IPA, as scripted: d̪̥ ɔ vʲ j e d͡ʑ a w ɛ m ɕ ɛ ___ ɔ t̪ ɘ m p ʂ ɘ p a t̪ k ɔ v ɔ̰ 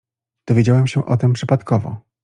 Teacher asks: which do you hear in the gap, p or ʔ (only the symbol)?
ʔ